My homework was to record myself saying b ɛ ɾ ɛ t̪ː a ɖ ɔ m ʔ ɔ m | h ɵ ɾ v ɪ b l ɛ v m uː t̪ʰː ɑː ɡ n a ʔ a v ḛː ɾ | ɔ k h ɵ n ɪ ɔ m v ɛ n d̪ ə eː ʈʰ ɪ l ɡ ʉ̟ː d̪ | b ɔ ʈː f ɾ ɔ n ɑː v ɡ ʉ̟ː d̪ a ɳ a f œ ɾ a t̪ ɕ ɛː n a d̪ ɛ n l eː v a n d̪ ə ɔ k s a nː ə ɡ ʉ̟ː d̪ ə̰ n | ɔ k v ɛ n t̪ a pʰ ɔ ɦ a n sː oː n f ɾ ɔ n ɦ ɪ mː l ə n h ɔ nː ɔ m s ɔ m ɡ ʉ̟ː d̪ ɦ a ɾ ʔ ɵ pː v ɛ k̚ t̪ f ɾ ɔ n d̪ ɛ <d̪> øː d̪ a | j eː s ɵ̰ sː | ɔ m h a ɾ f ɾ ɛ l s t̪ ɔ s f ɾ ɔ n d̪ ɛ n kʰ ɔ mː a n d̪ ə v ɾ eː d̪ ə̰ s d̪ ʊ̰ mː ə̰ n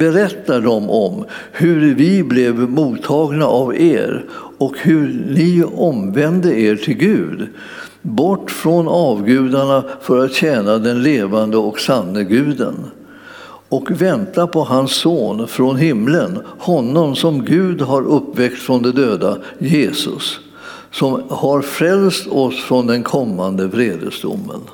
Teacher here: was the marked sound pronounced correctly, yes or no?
yes